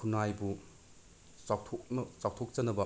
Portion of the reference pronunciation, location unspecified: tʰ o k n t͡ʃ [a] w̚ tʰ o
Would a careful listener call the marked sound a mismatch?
no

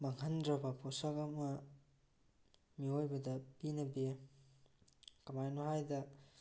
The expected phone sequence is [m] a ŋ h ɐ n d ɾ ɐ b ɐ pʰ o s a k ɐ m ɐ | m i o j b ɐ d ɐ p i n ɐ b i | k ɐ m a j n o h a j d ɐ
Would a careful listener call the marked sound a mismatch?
no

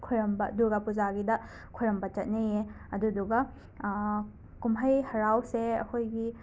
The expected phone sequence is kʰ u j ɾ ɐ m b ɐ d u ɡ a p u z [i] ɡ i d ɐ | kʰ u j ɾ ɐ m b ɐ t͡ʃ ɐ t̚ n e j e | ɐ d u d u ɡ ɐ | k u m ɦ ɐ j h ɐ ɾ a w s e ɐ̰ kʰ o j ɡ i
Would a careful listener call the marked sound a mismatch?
yes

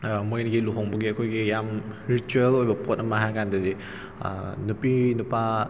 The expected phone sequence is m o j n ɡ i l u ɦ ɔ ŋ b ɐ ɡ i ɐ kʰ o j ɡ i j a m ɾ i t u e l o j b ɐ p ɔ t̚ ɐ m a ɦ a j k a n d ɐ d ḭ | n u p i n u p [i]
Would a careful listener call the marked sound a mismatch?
yes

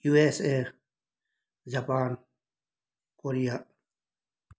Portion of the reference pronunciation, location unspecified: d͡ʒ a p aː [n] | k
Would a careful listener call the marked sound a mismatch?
no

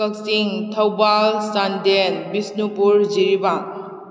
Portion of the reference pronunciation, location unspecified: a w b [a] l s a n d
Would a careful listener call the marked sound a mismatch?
no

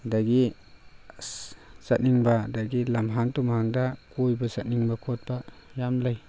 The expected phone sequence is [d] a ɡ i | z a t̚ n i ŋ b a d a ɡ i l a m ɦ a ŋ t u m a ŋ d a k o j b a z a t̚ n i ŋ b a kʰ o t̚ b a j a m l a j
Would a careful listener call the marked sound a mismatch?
no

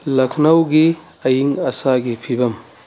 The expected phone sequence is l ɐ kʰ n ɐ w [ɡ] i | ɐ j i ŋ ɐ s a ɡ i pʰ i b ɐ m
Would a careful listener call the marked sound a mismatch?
no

